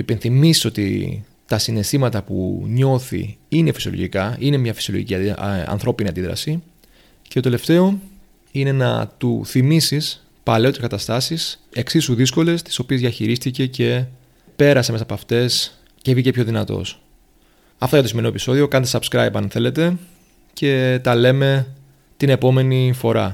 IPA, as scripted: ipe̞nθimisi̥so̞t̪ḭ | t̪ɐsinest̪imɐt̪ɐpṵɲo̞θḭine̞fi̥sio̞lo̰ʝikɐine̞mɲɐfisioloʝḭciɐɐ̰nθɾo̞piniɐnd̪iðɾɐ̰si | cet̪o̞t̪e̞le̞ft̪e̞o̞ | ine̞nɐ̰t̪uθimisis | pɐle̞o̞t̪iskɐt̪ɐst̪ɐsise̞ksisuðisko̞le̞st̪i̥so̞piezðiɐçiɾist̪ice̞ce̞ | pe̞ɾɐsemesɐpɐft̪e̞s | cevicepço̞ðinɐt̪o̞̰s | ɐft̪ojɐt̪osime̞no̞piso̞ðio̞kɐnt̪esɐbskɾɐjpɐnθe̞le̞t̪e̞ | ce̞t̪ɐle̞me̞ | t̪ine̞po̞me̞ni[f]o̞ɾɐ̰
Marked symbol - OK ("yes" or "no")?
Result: yes